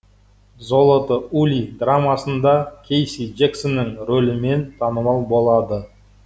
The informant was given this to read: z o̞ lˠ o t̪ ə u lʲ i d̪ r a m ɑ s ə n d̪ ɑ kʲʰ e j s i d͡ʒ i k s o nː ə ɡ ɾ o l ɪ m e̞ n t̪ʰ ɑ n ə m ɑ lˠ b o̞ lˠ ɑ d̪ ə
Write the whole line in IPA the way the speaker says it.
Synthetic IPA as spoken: z o̞ lˠ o t̪ ə u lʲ i d̪ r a m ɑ s ə n d̪ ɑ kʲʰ e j s i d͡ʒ e k s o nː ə ŋ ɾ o l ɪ m e̞ n t̪ʰ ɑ n ə m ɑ lˠ b o̞ lˠ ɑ d̪ ə